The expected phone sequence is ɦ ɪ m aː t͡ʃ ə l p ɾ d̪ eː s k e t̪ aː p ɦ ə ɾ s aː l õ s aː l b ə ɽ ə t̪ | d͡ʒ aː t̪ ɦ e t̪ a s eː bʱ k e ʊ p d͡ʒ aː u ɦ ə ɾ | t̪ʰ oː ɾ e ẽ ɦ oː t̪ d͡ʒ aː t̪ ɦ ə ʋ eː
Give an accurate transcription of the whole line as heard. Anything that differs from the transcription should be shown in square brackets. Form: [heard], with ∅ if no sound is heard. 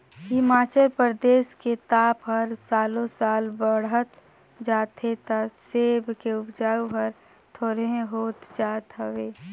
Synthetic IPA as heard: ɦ ɪ m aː t͡ʃ ə l p ɾ d̪ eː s k e t̪ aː p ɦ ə ɾ s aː l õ s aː l b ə ɽ ə t̪ | d͡ʒ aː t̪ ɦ e t̪ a s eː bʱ k e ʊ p d͡ʒ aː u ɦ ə ɾ | t̪ʰ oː ɾ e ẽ ɦ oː t̪ d͡ʒ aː t̪ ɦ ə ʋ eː